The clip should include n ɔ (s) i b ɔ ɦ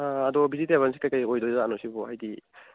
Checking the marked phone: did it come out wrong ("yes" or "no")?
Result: no